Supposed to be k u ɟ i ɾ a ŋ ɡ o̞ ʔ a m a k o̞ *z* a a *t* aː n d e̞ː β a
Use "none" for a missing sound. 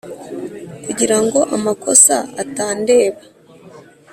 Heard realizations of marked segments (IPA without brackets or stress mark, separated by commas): s, t